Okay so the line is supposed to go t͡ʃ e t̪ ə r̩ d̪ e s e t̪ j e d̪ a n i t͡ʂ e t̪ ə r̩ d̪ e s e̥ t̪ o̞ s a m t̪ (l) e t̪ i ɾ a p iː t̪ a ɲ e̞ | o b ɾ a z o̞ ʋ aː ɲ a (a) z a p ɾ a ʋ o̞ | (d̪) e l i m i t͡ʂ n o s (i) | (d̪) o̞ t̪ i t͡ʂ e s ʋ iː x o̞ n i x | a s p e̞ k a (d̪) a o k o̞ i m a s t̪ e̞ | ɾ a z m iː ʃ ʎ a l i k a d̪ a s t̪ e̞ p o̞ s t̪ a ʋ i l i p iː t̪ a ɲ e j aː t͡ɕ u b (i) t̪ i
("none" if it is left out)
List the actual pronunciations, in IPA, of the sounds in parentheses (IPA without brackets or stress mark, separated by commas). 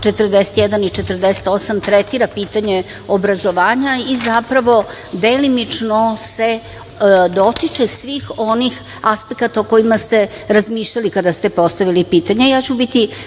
ɾ, i, d̪, e, d̪, t̪, i